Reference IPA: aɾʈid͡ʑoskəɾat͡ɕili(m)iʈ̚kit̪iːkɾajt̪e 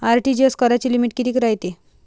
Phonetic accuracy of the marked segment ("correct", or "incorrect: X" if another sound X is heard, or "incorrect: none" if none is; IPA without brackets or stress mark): correct